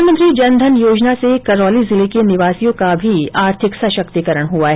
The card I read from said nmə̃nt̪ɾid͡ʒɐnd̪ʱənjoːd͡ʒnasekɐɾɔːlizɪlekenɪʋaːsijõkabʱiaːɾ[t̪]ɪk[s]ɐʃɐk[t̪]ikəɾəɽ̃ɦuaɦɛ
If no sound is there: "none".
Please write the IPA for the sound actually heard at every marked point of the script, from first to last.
t̪ʰ, s, t̪

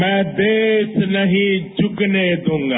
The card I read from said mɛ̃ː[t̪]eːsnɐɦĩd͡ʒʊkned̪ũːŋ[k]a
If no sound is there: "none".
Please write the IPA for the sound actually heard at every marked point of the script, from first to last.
d̪, ɡ

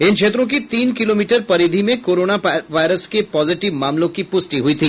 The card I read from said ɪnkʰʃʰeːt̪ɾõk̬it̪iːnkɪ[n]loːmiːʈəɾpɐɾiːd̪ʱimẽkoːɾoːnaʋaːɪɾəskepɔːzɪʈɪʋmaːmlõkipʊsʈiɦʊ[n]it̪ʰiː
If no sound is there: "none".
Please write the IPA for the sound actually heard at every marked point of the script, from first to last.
none, none

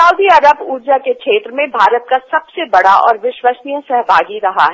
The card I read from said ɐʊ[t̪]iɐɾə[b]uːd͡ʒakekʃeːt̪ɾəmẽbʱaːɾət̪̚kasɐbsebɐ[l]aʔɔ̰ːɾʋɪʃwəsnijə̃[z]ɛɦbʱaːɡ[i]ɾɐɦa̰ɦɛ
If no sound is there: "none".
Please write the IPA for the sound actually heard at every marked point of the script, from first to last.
d̪, b, ɽ, s, i

